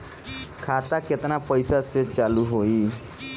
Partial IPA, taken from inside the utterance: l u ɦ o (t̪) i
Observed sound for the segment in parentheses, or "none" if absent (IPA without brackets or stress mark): none